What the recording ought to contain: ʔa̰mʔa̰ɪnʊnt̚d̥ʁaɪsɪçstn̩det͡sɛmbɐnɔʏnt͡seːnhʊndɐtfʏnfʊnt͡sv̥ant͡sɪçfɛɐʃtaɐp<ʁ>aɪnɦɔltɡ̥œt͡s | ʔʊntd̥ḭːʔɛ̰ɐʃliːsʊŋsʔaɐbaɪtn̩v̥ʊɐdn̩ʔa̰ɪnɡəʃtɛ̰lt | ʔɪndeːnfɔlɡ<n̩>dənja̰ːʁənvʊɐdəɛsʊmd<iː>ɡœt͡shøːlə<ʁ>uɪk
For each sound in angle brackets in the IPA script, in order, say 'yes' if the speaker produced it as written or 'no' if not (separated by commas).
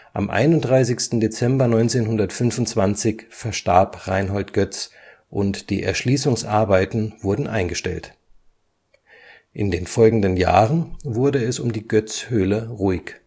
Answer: yes, no, yes, yes